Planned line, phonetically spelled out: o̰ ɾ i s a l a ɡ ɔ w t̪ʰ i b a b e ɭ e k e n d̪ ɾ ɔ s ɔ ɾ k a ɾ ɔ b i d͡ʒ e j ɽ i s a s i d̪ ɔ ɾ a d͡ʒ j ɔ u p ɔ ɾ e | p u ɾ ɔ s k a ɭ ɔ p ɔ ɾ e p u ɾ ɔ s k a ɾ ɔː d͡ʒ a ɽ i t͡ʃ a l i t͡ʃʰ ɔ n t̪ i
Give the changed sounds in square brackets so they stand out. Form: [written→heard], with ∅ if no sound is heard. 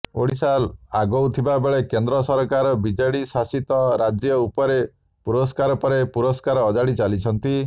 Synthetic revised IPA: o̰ [ɾ→ɽ] i s a l a ɡ ɔ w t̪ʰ i b a b e ɭ e k e n d̪ ɾ ɔ s ɔ ɾ k a ɾ ɔ b i d͡ʒ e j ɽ i s a s i [d̪→t̪] ɔ ɾ a d͡ʒ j ɔ u p ɔ ɾ e | p u ɾ ɔ s k a [ɭ→ɾ] ɔ p ɔ ɾ e p u ɾ ɔ s k a ɾ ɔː d͡ʒ a ɽ i t͡ʃ a l i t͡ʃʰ ɔ n t̪ i